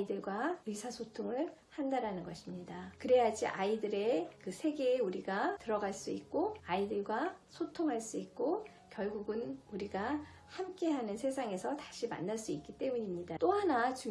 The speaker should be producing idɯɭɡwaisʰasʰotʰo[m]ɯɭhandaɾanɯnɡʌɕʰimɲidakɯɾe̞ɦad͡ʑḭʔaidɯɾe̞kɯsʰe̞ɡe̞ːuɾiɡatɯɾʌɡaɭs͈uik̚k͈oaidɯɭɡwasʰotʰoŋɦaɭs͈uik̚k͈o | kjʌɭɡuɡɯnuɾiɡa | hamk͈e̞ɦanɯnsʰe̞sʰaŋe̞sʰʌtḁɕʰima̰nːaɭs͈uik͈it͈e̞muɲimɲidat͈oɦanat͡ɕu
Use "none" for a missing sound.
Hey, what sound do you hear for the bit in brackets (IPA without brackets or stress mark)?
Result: ŋ